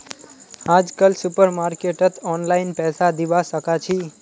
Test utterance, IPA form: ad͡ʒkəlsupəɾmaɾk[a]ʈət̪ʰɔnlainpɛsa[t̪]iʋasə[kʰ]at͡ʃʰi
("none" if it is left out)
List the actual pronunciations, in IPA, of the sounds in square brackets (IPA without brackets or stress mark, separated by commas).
e, d̪, k